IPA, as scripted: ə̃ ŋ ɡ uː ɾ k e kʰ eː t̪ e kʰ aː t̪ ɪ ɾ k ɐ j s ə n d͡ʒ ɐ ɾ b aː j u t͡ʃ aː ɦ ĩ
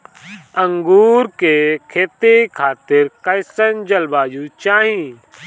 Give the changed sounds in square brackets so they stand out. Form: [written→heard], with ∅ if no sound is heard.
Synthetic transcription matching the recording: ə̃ ŋ ɡ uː ɾ k e kʰ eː t̪ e kʰ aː t̪ ɪ ɾ k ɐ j s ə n d͡ʒ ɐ [ɾ→l] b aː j u t͡ʃ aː ɦ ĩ